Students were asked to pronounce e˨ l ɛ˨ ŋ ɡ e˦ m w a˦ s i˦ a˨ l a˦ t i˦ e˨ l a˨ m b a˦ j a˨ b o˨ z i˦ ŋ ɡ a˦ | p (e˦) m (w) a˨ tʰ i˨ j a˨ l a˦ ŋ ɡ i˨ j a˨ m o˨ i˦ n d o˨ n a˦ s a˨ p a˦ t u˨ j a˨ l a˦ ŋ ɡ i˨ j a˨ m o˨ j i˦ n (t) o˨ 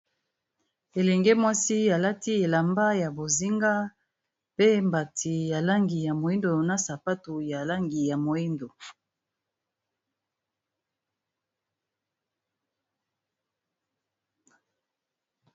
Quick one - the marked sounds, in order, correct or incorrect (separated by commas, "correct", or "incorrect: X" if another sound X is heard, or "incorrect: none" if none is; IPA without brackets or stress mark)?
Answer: correct, incorrect: b, incorrect: d